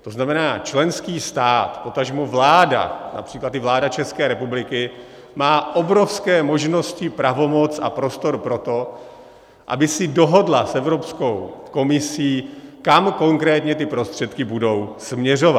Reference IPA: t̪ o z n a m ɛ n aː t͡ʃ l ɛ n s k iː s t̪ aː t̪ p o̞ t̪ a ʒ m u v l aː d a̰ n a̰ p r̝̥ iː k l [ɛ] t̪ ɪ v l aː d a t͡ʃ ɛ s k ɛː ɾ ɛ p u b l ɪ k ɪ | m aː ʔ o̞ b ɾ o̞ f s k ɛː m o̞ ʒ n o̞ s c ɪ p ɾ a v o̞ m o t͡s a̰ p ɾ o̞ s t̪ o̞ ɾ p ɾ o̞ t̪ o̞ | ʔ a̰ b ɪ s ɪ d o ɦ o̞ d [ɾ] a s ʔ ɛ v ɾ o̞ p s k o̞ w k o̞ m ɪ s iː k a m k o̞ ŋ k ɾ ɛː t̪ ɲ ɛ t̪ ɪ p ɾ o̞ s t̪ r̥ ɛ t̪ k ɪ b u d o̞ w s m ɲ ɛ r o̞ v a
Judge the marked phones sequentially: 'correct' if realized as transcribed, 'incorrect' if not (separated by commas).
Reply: incorrect, incorrect